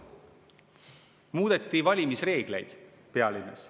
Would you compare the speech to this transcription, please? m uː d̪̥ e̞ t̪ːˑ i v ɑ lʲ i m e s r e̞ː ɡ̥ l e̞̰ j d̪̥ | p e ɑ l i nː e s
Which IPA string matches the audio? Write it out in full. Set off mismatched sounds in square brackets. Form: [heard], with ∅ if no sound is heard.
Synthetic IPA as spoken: m uː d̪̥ e̞ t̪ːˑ i v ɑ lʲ i m [i] s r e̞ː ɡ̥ l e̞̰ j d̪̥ | p e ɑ l i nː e s